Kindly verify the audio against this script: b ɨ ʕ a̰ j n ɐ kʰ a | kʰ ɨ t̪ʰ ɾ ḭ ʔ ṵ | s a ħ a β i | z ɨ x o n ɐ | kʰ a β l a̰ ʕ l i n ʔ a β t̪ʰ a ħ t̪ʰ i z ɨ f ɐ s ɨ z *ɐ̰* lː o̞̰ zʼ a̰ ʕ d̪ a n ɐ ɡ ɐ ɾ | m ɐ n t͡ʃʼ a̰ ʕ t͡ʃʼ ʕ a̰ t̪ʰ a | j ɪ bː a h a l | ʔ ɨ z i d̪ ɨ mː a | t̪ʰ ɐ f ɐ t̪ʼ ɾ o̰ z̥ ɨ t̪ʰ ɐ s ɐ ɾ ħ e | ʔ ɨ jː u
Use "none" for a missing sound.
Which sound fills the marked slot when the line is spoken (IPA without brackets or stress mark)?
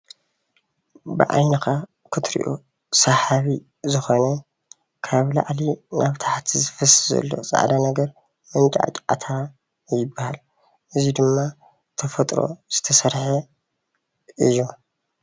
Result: ɐ̰